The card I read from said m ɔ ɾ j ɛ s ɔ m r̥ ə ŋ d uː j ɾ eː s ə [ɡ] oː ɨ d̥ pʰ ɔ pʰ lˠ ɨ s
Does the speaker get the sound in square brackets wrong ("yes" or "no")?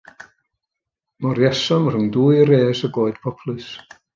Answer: no